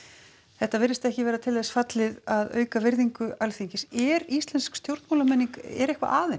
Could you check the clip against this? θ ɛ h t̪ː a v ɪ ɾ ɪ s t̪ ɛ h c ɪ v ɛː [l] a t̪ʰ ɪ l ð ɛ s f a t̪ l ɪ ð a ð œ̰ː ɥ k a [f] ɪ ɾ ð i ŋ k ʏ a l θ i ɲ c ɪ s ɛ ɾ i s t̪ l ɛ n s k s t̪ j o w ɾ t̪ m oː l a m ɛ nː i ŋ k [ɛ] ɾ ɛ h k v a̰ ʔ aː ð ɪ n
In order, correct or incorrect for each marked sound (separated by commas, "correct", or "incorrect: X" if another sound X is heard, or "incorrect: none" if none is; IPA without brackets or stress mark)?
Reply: incorrect: ɾ, incorrect: v, correct